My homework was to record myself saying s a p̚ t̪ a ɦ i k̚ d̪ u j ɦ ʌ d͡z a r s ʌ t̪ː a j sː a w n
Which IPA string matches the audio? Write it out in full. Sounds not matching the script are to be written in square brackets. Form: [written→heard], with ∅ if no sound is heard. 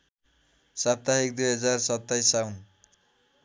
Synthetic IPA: s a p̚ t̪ a ɦ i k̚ d̪ u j ɦ ʌ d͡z a r s ʌ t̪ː a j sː a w n

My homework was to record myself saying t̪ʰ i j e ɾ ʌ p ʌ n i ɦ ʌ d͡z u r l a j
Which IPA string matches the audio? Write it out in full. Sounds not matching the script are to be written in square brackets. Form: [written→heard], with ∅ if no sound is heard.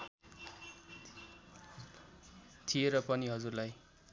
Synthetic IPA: t̪ʰ i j e ɾ ʌ p ʌ n i ɦ ʌ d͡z u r l a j

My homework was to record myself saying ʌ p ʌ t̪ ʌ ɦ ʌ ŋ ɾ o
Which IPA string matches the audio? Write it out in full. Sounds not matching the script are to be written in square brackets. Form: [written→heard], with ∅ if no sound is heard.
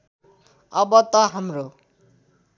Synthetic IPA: ʌ [p→b] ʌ t̪ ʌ ɦ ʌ [ŋ→m] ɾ o

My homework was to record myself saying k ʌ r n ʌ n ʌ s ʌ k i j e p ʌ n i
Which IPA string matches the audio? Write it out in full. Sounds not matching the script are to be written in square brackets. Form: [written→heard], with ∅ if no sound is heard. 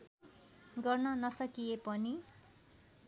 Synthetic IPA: [k→ɡ] ʌ r n ʌ n ʌ s ʌ k i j e p ʌ n i

